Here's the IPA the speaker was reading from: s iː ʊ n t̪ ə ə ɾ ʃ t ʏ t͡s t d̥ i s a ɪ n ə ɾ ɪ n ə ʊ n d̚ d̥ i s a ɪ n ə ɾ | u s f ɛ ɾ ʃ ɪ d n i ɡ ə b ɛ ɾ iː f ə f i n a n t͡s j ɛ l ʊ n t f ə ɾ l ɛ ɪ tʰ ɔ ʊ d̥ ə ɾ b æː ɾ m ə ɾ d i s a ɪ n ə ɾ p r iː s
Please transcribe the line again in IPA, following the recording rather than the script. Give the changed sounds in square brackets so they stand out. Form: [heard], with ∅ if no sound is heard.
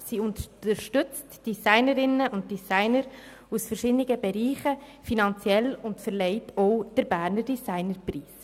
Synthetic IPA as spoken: s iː ʊ n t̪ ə ə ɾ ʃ t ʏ t͡s t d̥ i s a ɪ n ə ɾ ɪ n ə ʊ n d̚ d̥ i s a ɪ n ə ɾ | u s f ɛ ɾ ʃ ɪ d n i ɡ ə b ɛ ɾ iː [χ] ə f i n [ɑ] n t͡s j ɛ l ʊ n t f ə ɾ l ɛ ɪ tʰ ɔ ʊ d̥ ə ɾ b æː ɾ [n] ə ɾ d i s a ɪ n ə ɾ p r iː s